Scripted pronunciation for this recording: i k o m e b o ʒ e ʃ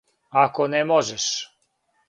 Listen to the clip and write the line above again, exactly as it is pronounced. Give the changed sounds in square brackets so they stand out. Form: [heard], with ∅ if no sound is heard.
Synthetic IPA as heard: [a] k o [n] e [m] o ʒ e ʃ